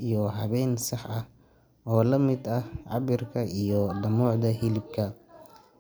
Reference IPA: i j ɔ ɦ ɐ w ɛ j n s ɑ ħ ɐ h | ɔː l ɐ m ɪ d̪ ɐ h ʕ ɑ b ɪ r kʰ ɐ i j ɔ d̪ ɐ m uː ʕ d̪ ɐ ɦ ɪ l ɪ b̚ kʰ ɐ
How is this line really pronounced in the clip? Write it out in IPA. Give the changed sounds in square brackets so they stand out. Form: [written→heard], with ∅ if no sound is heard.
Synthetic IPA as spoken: i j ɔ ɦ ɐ [w→β] ɛ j n s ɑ ħ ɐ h | ɔː l ɐ m ɪ d̪ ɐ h ʕ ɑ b ɪ r kʰ ɐ i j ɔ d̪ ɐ m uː ʕ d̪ ɐ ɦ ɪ l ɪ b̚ kʰ ɐ